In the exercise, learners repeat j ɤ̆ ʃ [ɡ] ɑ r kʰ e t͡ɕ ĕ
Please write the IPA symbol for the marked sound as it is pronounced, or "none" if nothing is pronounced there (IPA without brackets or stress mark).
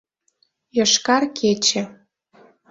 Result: k